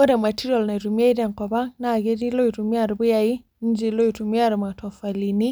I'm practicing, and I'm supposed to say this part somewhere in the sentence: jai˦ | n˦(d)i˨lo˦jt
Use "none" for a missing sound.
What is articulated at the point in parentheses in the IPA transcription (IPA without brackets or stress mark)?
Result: d͡ʒ